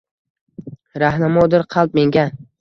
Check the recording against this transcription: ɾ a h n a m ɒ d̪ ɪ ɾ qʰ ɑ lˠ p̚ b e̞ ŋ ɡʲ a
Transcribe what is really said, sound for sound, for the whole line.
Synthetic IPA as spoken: ɾ a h n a m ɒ d̪ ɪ ɾ qʰ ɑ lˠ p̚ m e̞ ŋ ɡʲ a